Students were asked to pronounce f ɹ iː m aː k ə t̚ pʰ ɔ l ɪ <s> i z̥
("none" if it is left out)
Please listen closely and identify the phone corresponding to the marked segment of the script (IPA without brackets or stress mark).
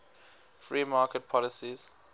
s